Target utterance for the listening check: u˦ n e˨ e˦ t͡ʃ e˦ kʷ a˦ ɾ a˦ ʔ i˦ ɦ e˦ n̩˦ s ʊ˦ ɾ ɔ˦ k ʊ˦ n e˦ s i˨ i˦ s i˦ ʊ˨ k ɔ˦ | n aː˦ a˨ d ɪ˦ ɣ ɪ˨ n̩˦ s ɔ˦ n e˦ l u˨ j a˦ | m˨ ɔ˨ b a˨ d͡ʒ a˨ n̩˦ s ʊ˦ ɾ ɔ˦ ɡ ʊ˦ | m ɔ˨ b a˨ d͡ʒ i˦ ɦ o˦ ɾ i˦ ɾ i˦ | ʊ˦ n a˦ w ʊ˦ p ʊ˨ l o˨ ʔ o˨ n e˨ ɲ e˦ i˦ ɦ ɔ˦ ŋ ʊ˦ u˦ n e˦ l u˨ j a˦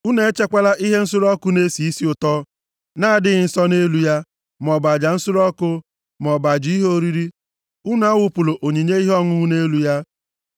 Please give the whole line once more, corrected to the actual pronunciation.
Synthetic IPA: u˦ n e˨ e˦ t͡ʃ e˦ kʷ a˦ l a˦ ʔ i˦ ɦ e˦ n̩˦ s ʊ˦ ɾ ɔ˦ k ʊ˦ n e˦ s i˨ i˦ s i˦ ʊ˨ t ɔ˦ | n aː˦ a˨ d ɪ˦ ɣ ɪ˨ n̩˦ s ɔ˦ n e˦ l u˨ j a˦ | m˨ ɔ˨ b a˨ d͡ʒ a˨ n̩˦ s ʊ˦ ɾ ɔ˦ k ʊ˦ | m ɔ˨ b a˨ d͡ʒ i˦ ɦ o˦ ɾ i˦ ɾ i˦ | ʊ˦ n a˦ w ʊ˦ p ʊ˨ l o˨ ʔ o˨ ɲ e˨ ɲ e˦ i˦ ɦ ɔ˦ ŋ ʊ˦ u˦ n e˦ l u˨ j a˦